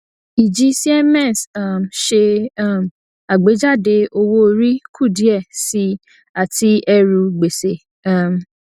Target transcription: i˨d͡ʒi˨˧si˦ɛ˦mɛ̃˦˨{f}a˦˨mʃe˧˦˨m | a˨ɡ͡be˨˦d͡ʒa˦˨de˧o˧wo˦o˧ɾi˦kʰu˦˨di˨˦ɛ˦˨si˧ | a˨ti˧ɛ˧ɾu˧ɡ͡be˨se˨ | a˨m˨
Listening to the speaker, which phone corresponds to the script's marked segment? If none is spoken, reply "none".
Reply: s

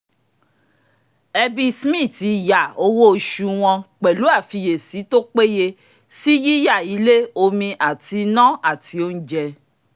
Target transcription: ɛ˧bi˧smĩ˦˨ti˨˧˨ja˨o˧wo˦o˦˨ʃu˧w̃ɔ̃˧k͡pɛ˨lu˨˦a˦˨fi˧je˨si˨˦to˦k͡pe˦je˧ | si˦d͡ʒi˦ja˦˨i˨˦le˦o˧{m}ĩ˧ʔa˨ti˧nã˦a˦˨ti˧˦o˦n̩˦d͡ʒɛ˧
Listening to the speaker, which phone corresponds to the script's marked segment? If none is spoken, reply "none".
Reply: m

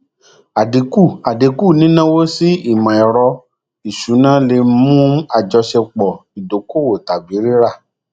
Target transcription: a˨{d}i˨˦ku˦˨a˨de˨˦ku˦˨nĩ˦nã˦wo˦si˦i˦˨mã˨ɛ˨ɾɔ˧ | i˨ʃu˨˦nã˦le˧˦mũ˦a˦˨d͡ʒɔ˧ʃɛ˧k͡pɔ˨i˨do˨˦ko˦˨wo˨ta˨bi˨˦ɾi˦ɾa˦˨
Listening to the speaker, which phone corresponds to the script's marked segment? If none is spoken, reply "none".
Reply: d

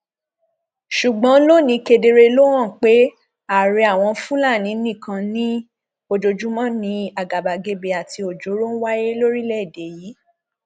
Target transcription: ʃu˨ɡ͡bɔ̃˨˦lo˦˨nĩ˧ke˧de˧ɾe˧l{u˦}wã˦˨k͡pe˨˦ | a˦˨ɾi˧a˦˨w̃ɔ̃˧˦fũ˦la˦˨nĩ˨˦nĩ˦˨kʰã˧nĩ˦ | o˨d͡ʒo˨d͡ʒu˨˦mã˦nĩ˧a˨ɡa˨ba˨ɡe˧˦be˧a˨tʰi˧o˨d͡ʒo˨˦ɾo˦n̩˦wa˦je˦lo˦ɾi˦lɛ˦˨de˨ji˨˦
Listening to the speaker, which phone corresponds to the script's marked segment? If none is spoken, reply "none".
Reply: o˦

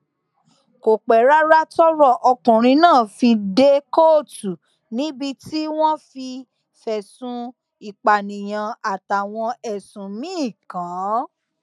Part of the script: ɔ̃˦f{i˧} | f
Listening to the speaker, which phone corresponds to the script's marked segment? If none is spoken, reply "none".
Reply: i˧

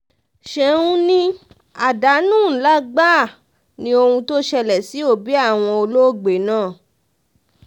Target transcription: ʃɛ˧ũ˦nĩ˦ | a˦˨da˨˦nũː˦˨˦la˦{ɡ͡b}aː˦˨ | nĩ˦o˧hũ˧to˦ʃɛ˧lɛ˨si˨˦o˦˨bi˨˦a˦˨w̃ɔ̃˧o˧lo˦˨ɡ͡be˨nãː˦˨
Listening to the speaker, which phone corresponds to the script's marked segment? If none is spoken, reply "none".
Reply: ɡ͡b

